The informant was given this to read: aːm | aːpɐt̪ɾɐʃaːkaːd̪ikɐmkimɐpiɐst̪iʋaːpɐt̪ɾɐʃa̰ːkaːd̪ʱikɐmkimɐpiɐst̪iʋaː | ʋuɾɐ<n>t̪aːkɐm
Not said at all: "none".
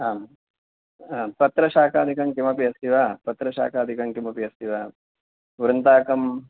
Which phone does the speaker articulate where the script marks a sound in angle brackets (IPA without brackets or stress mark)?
n